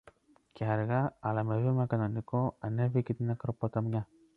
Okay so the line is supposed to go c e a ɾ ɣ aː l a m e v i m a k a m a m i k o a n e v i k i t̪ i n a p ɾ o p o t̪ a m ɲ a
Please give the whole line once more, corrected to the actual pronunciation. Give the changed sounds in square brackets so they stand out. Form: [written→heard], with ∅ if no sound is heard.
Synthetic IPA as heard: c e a ɾ ɣ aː l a m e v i m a k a [m→n] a [m→n] i k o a n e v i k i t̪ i n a [p→k] ɾ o p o t̪ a m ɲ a